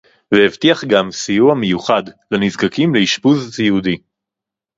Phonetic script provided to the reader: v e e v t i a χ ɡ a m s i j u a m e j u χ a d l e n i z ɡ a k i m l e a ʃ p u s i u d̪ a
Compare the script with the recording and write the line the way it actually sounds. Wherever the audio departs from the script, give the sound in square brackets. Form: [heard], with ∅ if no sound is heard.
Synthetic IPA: v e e v t i a χ ɡ a m s i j u a m e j u χ a d l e n i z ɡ a k i m l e [i] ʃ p u [z] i u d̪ [i]